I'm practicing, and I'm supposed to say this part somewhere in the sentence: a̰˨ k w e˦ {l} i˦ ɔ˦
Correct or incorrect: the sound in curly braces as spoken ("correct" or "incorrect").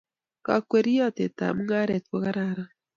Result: incorrect